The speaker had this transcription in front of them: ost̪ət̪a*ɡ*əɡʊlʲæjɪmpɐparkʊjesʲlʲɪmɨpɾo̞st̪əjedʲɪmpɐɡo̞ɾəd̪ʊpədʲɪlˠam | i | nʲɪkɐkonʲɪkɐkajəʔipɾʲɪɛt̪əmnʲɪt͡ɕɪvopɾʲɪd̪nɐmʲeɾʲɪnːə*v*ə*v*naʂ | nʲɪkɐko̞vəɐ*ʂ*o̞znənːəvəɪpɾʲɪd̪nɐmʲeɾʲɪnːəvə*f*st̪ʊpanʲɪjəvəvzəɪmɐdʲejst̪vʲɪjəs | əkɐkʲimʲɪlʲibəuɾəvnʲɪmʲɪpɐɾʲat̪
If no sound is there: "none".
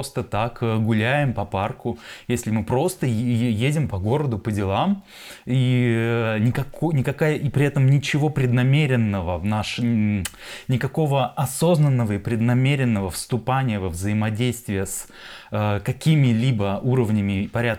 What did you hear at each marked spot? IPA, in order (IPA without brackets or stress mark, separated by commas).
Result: k, v, v, s, f